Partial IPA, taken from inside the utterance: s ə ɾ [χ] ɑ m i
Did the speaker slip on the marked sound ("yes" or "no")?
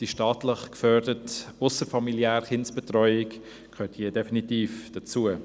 yes